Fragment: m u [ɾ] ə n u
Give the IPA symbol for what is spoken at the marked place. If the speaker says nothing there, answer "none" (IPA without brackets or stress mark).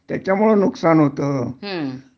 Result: ɭ